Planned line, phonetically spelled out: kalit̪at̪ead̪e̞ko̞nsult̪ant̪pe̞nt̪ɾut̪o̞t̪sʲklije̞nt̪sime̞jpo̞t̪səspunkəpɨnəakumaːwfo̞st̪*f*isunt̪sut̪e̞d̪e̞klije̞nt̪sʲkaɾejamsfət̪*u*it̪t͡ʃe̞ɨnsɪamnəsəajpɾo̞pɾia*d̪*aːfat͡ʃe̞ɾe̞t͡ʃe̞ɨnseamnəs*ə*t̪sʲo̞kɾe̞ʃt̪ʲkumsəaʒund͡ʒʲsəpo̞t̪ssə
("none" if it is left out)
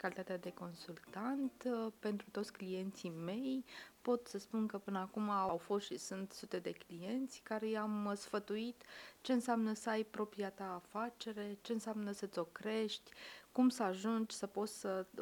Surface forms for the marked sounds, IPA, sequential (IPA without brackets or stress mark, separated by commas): ʃ, u, t̪, ə